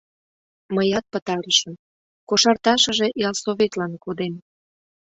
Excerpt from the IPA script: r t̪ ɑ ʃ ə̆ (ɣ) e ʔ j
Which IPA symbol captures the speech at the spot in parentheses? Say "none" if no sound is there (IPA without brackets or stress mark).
ʒ